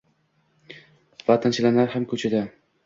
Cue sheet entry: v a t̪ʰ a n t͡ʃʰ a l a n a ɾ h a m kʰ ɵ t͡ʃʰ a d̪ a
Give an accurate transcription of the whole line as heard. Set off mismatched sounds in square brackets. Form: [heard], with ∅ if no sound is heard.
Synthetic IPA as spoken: v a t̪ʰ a n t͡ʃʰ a l a n a ɾ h a m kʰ ɵ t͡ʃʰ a d̪ a